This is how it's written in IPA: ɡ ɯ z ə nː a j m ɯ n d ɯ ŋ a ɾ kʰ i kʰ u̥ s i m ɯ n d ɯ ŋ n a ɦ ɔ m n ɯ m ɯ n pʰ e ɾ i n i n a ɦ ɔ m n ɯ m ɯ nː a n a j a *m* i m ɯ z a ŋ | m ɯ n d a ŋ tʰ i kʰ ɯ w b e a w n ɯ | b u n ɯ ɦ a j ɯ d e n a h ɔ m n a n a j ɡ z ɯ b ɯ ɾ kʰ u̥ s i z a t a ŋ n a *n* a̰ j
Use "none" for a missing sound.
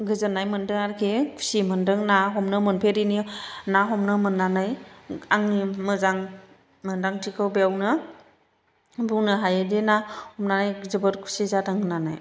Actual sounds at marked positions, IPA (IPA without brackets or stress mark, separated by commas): ŋ, n